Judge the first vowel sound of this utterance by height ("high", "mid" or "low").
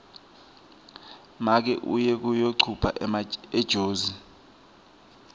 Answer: low